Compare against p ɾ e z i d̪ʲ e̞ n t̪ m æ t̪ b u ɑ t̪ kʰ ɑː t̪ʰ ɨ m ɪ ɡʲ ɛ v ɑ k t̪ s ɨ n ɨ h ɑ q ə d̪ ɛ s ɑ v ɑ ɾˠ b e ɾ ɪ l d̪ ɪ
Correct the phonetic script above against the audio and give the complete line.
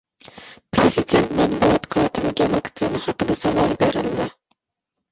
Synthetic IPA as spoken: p ɾ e z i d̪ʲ e̞ n t̪ m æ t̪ b u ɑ t̪ kʰ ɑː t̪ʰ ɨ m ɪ ɡʲ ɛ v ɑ k t̪ s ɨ n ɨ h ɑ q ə d̪ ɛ s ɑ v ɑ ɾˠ b e ɾ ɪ l d̪ ɪ